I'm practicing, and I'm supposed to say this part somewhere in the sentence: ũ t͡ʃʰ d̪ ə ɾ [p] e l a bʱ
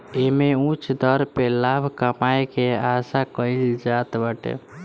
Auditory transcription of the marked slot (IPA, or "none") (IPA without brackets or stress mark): p